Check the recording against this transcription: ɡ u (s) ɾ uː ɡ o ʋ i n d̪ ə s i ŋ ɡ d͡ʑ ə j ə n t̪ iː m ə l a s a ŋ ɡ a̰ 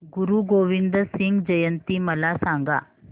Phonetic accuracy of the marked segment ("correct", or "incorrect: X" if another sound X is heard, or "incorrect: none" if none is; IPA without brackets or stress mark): incorrect: none